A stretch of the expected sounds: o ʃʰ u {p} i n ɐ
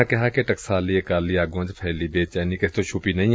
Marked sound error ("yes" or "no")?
no